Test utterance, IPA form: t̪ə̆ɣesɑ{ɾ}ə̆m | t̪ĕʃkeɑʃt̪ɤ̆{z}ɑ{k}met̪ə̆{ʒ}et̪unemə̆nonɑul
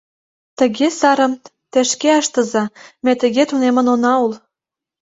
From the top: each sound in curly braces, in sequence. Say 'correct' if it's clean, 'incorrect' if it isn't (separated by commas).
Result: correct, correct, incorrect, incorrect